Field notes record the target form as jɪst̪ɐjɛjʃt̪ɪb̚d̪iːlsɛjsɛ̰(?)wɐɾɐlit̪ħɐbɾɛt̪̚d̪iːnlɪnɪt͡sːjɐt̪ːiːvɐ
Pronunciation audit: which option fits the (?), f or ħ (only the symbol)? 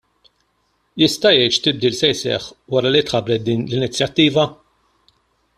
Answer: ħ